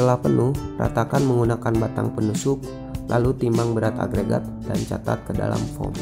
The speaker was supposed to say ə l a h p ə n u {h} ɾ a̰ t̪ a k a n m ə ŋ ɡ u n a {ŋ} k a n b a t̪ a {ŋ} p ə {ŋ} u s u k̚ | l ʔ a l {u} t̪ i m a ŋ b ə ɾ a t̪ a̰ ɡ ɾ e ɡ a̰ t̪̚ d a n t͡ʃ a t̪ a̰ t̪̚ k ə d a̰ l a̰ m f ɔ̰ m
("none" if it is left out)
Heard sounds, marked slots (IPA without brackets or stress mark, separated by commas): h, none, ŋ, n, u